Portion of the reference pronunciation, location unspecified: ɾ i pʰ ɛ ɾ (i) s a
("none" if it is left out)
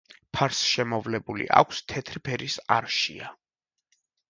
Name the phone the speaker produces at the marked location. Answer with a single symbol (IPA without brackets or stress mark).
i